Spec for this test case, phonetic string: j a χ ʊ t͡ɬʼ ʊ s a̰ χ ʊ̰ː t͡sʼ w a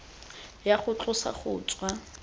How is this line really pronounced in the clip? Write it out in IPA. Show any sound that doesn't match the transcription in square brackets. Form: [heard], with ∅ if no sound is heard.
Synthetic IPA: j a χ ʊ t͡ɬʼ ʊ s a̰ χ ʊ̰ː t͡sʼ w a

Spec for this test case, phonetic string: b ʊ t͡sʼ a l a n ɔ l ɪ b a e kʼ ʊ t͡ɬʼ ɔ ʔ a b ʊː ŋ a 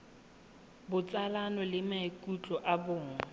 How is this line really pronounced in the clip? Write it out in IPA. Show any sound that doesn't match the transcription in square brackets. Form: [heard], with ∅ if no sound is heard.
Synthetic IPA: b ʊ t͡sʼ a l a n ɔ l ɪ [m] a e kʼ [u] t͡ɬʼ ɔ ʔ a b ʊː ŋ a

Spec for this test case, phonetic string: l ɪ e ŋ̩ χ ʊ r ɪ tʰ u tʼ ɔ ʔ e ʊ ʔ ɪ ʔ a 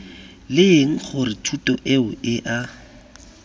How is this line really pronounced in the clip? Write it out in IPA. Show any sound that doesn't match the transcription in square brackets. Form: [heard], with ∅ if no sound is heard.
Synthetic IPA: l ɪ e ŋ̩ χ ʊ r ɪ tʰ u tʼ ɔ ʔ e ʊ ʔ ɪ ʔ a

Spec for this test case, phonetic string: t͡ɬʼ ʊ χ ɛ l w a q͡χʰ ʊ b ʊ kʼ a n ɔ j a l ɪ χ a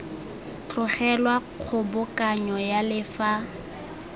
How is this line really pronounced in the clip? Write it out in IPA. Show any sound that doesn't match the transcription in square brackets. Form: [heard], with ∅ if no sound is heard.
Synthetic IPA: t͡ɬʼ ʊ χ ɛ l w a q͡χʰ ʊ b ʊ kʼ a [ɲ] ɔ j a l ɪ [f] a

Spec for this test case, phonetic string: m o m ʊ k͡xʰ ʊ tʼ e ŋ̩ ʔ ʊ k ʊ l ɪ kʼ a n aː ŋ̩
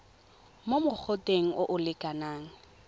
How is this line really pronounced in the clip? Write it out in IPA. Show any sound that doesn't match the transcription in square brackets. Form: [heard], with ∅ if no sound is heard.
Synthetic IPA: m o m ʊ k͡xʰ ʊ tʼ e ŋ̩ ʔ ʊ [ʔ] ʊ l ɪ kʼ a n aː ŋ̩

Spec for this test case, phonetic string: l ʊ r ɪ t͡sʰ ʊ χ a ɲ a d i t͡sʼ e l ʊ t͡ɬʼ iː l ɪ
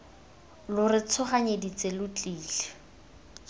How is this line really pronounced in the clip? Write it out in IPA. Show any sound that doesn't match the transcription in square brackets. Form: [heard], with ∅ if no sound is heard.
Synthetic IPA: l ʊ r ɪ t͡sʰ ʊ χ a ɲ [e] d i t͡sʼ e l ʊ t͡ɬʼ iː l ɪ

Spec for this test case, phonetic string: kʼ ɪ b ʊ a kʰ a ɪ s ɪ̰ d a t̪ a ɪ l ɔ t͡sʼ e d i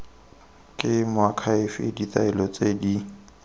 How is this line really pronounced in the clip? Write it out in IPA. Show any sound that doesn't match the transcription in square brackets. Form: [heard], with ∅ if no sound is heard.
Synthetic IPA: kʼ ɪ [m] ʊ a kʰ a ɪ [f] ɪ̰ d [i] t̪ a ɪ l ɔ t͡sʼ e d i

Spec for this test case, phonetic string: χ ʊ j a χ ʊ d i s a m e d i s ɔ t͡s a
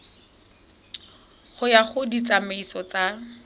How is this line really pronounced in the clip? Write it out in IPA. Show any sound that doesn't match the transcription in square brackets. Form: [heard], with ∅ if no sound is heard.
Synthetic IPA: χ ʊ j a χ ʊ d i [t͡s] a m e [∅] i s ɔ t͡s a

